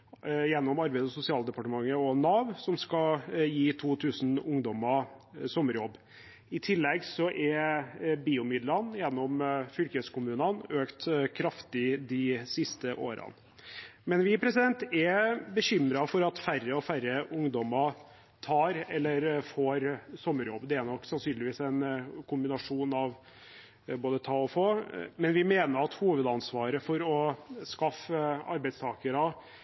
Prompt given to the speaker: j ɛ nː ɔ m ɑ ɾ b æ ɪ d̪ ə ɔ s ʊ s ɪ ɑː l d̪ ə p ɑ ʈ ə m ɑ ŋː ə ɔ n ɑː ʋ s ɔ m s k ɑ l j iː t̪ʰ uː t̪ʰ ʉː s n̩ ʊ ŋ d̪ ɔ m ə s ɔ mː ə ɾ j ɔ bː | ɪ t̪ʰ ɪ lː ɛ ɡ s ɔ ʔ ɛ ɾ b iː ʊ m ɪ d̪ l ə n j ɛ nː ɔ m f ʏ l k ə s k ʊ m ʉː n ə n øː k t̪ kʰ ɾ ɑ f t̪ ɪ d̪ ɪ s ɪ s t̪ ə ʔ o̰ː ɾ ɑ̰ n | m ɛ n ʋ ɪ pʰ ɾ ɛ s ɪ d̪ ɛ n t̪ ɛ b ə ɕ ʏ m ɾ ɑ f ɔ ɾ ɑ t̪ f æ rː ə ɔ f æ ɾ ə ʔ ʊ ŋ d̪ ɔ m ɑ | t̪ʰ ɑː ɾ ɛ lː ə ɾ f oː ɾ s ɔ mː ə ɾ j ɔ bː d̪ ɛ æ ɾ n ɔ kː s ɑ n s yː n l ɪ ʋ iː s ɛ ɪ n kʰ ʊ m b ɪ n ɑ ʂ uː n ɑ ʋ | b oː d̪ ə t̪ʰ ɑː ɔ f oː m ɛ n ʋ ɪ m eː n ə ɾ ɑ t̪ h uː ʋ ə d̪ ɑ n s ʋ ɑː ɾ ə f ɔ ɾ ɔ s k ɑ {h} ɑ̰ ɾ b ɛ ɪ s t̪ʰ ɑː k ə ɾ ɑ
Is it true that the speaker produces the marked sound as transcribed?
no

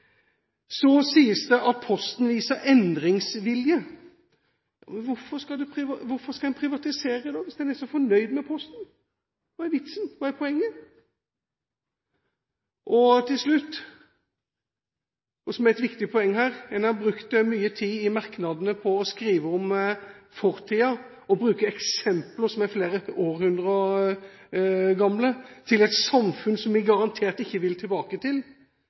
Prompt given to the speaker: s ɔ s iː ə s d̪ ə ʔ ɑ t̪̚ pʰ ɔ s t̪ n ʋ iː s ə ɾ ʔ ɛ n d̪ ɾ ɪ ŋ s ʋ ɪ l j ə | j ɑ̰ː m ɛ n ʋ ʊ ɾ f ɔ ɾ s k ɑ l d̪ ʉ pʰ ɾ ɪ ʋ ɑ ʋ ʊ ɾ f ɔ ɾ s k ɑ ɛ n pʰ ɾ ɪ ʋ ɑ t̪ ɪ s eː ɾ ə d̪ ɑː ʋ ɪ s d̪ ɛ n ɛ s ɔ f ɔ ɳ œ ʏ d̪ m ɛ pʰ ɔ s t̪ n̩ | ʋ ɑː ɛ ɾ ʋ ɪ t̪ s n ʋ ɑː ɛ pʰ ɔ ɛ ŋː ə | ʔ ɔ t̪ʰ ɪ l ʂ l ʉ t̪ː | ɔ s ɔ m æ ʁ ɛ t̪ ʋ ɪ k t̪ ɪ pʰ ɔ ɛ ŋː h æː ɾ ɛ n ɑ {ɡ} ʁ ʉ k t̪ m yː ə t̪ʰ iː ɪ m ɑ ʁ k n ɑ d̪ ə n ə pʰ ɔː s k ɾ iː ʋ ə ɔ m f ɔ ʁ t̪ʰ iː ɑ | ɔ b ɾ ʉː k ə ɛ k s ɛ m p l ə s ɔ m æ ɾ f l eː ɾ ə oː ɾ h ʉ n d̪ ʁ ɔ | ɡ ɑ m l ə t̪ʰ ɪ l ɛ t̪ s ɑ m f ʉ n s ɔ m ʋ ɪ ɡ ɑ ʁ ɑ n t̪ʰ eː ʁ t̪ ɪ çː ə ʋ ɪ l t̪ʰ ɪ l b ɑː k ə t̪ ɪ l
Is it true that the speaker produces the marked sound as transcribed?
no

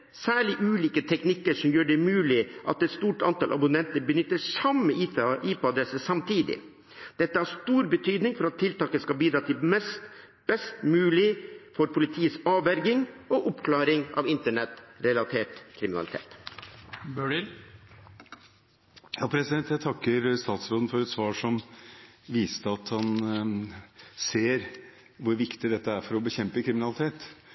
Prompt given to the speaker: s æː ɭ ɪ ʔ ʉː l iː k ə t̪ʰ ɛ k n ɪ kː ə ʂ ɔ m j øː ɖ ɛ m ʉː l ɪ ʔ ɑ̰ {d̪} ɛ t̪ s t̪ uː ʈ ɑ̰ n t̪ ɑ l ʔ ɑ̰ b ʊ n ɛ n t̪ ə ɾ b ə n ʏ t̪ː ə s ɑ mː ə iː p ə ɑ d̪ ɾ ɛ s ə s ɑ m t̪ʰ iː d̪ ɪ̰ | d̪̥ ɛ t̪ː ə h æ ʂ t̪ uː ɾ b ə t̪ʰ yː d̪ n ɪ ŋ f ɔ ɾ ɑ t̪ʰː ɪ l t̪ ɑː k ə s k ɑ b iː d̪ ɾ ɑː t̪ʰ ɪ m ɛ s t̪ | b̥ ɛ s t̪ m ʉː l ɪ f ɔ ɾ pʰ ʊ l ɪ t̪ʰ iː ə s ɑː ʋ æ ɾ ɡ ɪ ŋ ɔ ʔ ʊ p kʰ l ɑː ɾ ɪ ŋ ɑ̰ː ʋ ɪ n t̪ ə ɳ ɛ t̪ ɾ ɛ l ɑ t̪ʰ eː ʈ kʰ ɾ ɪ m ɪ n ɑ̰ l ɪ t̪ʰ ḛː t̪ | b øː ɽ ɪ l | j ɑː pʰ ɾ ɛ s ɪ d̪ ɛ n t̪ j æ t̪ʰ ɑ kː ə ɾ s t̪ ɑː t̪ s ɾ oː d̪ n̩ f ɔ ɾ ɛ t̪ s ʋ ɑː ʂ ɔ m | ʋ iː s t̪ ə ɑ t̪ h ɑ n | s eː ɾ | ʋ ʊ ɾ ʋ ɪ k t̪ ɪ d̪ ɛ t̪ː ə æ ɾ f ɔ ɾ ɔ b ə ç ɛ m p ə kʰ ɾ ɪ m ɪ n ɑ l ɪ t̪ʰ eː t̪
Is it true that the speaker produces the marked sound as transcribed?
no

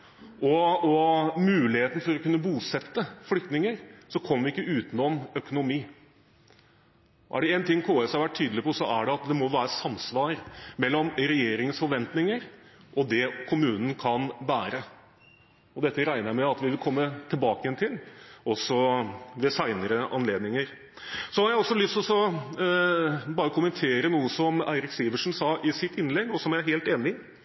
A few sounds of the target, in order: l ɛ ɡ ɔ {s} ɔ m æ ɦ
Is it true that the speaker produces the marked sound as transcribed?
yes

